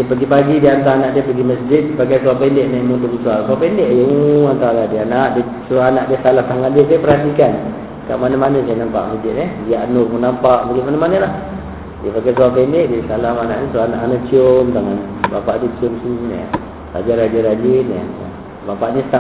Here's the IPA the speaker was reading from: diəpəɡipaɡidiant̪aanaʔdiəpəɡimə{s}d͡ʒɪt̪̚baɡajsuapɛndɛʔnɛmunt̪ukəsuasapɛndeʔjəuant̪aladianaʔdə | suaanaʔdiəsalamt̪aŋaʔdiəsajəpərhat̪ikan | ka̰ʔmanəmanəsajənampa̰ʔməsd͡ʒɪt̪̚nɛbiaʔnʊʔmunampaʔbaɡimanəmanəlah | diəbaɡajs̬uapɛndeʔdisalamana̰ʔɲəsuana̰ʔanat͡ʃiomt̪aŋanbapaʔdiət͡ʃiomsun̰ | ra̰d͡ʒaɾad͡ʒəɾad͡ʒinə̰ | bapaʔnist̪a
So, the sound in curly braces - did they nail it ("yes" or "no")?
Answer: yes